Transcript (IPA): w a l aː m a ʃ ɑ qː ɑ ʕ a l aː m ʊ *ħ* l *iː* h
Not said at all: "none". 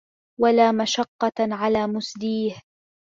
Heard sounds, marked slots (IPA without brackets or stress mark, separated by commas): s, iː